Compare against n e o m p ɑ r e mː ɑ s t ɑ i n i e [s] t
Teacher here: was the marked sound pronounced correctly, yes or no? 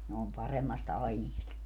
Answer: yes